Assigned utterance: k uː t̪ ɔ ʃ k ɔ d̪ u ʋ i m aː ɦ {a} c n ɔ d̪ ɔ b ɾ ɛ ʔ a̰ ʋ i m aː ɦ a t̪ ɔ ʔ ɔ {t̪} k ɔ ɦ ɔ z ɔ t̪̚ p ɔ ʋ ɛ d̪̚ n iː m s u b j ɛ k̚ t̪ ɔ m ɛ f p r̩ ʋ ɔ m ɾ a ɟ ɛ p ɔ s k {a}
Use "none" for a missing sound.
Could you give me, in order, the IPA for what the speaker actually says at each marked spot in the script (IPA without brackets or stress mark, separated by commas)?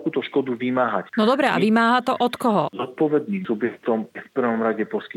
a, t̪, i